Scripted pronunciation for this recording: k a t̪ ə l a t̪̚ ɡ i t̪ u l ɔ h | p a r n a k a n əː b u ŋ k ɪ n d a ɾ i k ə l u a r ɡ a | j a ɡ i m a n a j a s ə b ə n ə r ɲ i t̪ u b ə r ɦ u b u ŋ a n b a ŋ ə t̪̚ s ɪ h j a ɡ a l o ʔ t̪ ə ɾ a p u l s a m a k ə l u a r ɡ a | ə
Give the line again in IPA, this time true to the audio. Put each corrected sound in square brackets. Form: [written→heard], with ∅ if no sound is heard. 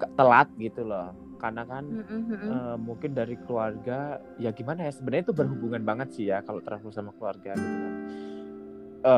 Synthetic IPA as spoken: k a t̪ ə l a t̪̚ ɡ i t̪ u l ɔ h | [p→k] a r n a k a n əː [b→m] u ŋ k ɪ n d a ɾ i k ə l u a r ɡ a | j a ɡ i m a n a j a s ə b ə n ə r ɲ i t̪ u b ə r ɦ u b u ŋ a n b a ŋ ə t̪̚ s ɪ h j a [ɡ→k] a l o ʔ t̪ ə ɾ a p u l s a m a k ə l u a r ɡ a | ə